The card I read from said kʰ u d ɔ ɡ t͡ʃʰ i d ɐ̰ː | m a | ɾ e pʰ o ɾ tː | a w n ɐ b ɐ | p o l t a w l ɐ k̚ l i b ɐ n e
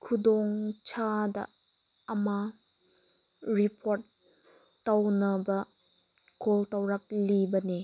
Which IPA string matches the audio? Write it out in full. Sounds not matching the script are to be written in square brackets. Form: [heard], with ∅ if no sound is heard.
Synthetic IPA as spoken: kʰ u d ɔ [ŋ] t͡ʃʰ [a] d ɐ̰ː | m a | ɾ [i] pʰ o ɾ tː | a w n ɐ b ɐ | [k] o l t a w [ɾ] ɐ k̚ l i b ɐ n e